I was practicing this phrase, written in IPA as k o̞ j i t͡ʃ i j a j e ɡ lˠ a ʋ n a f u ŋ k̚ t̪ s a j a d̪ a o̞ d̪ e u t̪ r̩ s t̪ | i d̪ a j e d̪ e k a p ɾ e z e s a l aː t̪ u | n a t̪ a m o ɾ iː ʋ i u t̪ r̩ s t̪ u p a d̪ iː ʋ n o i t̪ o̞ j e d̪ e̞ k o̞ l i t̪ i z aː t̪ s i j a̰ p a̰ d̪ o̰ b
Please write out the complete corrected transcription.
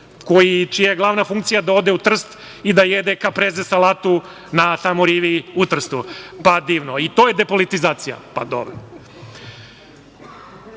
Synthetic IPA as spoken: k o̞ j i t͡ʃ i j a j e ɡ lˠ a ʋ n a f u ŋ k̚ t̪ s i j a d̪ a o̞ d̪ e u t̪ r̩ s t̪ | i d̪ a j e d̪ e k a p ɾ e z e s a l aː t̪ u | n a t̪ a m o ɾ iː ʋ i u t̪ r̩ s t̪ u p a d̪ iː ʋ n o i t̪ o̞ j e d̪ e̞ p o̞ l i t̪ i z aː t̪ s i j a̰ p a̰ d̪ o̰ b